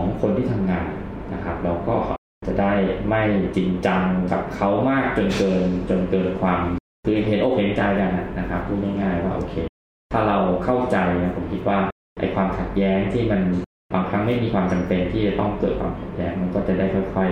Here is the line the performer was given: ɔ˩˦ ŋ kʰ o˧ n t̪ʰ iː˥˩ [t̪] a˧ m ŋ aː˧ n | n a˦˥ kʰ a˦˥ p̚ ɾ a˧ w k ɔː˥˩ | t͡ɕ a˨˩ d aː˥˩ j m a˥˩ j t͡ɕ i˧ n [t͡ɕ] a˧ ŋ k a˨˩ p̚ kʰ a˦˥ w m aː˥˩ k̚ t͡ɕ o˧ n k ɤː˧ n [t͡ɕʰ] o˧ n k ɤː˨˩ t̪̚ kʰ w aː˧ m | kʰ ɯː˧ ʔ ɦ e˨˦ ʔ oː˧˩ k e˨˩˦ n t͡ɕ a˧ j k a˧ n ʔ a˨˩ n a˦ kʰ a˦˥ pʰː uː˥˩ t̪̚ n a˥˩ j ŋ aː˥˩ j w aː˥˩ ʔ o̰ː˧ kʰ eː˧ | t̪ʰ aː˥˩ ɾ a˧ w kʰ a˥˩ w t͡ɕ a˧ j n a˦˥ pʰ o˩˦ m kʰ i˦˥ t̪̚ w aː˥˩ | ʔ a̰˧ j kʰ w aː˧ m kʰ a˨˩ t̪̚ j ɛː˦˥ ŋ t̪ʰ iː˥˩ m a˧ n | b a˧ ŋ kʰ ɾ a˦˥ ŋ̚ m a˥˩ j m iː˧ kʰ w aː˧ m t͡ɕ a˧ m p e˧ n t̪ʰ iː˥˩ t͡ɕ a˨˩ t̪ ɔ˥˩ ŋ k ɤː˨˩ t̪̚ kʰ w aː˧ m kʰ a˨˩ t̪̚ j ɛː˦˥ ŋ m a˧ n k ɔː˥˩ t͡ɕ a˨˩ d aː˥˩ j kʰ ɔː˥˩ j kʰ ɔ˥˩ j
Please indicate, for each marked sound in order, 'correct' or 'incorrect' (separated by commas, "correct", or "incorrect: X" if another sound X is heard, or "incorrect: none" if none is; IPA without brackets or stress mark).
incorrect: t̪ʰ, correct, incorrect: t͡ɕ